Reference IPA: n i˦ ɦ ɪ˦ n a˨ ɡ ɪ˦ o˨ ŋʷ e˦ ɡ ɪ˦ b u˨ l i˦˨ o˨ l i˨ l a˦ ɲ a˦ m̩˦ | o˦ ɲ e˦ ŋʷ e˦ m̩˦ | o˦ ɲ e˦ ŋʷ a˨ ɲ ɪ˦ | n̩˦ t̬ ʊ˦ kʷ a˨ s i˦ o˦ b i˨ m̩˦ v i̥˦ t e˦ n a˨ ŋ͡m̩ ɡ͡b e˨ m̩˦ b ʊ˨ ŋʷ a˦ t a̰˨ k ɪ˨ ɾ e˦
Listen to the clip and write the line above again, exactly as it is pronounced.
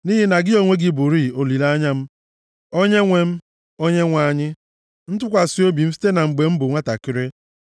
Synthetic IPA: n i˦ ɦ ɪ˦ n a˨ ɡ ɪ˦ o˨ ŋʷ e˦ ɡ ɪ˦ b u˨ ɾ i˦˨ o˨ l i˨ l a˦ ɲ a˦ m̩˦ | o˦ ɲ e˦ ŋʷ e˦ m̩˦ | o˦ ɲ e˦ ŋʷ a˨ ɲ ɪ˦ | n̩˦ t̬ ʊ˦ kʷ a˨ s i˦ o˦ b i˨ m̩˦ f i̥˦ t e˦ n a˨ ŋ͡m̩ ɡ͡b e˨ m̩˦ b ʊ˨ ŋʷ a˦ t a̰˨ k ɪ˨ ɾ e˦